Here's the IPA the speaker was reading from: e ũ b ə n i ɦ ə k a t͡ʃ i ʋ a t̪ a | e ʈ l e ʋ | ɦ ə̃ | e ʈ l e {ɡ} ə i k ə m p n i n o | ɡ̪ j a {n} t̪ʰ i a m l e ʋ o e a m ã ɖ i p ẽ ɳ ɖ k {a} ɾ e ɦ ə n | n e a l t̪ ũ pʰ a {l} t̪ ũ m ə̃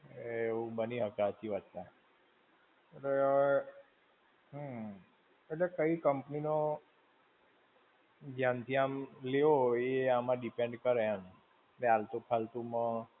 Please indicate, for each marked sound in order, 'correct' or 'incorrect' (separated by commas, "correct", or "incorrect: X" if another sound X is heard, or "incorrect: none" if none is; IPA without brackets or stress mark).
incorrect: k, correct, incorrect: ə, correct